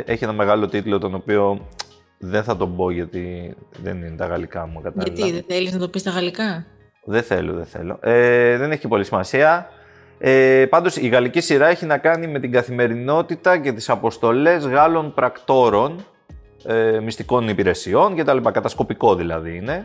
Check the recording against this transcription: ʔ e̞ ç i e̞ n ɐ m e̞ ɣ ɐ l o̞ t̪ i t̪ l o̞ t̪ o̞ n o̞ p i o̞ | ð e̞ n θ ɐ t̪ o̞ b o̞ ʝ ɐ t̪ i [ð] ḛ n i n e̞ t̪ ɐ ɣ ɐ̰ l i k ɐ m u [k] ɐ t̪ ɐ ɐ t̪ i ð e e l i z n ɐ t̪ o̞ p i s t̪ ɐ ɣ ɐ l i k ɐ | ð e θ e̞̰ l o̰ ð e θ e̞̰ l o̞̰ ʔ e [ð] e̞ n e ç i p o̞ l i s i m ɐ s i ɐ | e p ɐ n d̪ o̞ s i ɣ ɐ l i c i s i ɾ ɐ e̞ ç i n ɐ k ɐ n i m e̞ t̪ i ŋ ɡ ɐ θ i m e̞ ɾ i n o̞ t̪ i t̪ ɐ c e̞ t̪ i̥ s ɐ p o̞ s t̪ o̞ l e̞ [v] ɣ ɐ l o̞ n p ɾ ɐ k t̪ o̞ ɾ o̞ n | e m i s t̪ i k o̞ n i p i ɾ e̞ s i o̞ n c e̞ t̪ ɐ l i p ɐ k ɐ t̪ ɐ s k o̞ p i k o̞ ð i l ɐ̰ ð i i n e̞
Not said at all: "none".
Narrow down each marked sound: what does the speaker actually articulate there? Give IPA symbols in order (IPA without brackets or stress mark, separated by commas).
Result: ð, k, ð, z